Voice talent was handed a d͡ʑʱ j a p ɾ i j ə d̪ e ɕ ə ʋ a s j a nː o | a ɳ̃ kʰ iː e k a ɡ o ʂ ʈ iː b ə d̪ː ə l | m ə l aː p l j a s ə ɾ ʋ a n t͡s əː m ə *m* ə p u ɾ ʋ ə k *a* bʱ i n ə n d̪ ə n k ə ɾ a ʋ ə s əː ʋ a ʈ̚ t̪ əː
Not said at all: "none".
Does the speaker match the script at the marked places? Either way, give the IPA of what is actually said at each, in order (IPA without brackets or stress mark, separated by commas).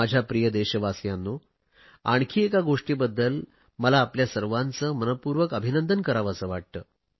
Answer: n, ə